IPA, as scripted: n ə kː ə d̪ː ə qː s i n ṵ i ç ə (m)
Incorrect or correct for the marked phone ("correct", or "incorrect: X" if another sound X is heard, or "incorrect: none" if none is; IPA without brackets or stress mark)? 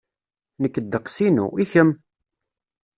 correct